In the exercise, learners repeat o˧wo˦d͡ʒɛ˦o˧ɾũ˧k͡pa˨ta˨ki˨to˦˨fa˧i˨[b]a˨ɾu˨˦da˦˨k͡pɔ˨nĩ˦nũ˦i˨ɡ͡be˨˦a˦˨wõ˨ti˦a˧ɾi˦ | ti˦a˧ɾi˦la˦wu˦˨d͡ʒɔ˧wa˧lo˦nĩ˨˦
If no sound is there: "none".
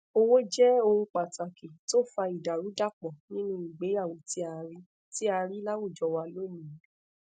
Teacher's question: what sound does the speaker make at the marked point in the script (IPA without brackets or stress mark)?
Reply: d